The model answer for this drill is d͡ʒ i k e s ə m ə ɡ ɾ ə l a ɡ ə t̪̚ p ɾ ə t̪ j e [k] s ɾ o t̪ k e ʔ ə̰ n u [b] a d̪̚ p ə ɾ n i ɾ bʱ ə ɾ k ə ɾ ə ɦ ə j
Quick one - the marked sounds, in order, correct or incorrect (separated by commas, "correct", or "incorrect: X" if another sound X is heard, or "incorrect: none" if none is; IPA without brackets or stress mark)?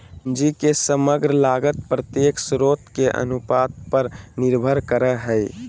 correct, incorrect: p